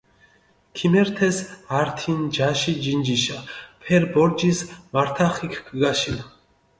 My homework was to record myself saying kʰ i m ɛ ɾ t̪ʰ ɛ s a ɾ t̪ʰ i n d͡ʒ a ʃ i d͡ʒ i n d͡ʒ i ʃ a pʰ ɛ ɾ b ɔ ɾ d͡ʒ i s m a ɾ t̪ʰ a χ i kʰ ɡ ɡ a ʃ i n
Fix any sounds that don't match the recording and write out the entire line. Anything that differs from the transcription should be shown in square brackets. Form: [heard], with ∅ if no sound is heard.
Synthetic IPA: kʰ i m ɛ ɾ t̪ʰ ɛ s a ɾ t̪ʰ i n d͡ʒ a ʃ i d͡ʒ i n d͡ʒ i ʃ a pʰ ɛ ɾ b ɔ ɾ d͡ʒ i s m a ɾ t̪ʰ a χ i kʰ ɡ ɡ a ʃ i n